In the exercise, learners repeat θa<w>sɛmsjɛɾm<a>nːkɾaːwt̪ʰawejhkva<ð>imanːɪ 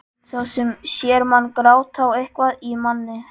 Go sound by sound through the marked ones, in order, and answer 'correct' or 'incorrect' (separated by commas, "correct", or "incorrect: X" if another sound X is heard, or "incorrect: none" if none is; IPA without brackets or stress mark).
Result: correct, correct, correct